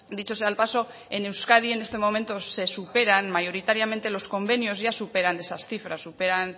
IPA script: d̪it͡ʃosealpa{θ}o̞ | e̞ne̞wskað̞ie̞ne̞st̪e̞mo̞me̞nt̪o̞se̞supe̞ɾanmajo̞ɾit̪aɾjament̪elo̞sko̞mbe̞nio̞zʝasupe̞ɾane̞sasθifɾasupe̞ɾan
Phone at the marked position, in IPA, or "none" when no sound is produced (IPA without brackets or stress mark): s